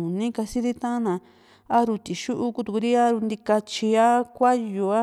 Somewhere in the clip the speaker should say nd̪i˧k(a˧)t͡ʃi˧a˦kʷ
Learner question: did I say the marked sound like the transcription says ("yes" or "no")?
yes